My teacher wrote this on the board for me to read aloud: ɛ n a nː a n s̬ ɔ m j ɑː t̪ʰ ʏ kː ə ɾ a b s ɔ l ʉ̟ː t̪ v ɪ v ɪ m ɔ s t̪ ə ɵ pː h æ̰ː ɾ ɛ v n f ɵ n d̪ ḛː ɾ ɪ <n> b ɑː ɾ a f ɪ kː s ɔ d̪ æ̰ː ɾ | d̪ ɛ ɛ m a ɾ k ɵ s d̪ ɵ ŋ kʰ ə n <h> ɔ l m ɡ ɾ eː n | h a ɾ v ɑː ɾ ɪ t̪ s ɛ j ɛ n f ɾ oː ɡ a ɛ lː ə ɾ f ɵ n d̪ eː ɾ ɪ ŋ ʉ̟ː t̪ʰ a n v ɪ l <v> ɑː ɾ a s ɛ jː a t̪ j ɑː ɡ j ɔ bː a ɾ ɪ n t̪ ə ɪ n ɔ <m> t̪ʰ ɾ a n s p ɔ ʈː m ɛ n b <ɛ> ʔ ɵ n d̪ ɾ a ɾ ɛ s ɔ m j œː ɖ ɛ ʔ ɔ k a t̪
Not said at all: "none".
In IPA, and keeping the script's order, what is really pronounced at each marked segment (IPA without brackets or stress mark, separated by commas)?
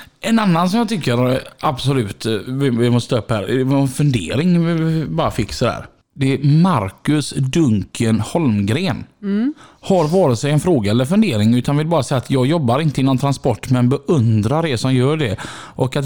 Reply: ŋ, h, b, n, ɛ